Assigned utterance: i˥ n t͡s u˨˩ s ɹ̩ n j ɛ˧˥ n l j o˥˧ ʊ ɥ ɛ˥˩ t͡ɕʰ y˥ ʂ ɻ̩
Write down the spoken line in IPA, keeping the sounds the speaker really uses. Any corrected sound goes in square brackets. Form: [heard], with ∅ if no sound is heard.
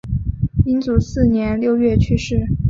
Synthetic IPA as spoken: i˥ n t͡s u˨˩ s ɹ̩ n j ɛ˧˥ n l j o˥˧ ʊ ɥ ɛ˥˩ t͡ɕʰ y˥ ʂ ɻ̩